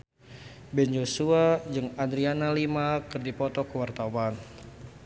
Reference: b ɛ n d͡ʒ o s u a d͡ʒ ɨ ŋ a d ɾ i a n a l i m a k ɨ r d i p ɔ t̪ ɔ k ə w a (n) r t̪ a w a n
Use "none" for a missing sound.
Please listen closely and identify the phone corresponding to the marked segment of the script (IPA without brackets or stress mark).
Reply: none